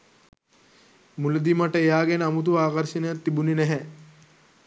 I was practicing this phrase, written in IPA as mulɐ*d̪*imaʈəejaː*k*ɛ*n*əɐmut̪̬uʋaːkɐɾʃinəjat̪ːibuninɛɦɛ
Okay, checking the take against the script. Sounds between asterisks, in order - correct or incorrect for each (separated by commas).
correct, incorrect, correct